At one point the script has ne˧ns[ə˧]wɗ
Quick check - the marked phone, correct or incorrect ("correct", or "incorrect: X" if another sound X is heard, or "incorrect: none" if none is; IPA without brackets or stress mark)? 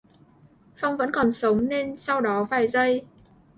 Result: incorrect: a˧